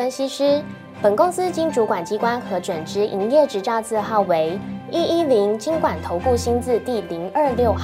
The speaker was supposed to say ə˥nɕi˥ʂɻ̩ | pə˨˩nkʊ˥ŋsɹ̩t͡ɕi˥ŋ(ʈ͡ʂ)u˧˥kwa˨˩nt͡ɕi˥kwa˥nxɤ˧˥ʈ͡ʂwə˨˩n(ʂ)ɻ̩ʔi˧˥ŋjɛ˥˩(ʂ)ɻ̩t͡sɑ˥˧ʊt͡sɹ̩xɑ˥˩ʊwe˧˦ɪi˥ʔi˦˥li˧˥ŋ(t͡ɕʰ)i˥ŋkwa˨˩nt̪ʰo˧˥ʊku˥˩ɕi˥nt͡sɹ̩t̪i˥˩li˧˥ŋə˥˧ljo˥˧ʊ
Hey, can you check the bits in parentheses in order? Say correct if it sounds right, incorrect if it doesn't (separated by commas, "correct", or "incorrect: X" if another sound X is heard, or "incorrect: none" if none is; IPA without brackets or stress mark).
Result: correct, incorrect: ʈ͡ʂ, incorrect: ʈ͡ʂ, incorrect: t͡ɕ